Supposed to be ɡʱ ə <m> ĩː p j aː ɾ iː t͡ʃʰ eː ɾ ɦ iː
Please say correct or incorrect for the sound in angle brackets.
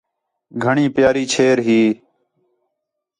incorrect